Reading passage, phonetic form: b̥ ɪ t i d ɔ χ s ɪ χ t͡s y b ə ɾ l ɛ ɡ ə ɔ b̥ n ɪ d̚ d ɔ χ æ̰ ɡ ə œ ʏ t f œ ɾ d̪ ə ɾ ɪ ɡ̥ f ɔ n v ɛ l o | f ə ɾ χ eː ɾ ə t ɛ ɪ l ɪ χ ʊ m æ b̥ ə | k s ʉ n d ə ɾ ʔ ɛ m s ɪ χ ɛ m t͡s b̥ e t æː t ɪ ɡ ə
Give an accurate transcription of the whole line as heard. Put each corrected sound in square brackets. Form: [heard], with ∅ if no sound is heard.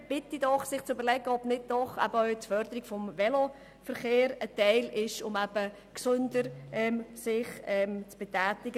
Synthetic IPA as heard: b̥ ɪ t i d ɔ χ s ɪ χ t͡s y b ə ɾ l ɛ ɡ ə ɔ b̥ n ɪ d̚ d ɔ χ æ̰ [b] ə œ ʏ t f œ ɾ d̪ ə ɾ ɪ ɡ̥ f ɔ [m] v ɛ l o | f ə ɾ χ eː ɾ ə t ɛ ɪ l ɪ [ʃ] ʊ m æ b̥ ə | k s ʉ n d ə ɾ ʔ ɛ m s ɪ χ ɛ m t͡s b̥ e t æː t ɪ ɡ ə